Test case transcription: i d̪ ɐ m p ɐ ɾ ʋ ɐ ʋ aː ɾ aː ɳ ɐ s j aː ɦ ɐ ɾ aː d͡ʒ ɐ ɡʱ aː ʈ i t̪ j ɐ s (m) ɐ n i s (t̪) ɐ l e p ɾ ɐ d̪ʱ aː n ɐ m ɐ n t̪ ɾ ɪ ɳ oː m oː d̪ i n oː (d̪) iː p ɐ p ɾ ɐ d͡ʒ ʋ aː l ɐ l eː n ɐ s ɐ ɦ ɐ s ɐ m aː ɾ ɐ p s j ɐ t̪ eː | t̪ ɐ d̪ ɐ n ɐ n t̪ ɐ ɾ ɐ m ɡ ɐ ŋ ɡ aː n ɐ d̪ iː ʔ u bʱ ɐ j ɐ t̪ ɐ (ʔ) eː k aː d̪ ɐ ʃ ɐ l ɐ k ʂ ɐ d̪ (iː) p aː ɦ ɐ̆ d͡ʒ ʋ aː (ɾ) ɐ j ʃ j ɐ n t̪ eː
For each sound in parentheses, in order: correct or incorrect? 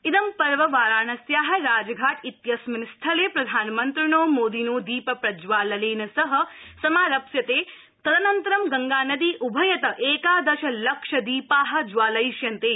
correct, incorrect: t̪ʰ, correct, correct, correct, incorrect: l

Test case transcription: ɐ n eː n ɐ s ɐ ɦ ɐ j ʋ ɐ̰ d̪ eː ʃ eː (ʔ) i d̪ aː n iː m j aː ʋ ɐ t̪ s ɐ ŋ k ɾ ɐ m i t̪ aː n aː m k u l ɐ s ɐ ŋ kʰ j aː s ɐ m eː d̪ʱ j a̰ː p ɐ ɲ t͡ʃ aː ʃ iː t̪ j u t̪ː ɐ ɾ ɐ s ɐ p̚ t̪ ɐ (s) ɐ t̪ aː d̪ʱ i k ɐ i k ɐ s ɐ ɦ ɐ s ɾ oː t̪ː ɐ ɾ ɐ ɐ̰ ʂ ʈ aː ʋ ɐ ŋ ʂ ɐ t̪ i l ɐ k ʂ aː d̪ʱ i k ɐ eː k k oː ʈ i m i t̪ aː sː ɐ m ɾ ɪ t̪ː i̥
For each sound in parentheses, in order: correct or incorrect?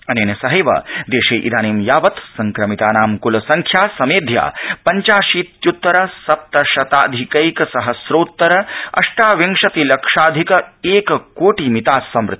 correct, incorrect: ʃ

